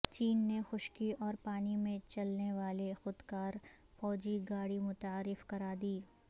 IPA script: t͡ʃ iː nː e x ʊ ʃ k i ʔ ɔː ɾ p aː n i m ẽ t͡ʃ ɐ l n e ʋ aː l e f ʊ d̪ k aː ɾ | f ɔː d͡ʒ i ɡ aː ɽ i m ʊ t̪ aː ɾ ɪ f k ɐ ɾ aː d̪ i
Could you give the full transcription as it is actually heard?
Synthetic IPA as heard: t͡ʃ iː nː e x ʊ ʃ k i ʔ ɔː ɾ p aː n i m ẽ t͡ʃ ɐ l n e ʋ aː l e x ʊ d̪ k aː ɾ | f ɔː d͡ʒ i ɡ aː ɽ i m ʊ t̪ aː ɾ ɪ f k ɐ ɾ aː d̪ iː